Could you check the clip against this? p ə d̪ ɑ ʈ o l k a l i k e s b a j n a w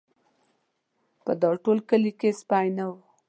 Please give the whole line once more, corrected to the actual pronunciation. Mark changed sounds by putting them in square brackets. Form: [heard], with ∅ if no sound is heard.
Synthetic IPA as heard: p ə d̪ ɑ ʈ o l k [ə] l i k e s [p] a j n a w